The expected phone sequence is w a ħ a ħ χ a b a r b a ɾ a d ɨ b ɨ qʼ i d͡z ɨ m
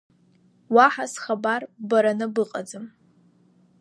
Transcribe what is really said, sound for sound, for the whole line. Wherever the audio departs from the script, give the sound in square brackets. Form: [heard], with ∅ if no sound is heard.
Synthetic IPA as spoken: w a ħ a [s] χ a b a r b a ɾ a [n] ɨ b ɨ qʼ [a] d͡z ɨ m